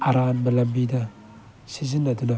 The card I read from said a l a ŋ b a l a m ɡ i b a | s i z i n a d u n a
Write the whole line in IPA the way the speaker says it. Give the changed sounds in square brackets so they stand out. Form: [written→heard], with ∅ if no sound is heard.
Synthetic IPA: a [l→ɾ] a [ŋ→n] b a l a m [ɡ→b] i [b→d] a | s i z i n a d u n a